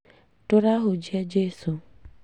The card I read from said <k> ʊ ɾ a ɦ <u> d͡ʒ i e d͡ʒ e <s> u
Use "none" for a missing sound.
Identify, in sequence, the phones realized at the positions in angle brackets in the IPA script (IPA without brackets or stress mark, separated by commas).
t, ʊ, s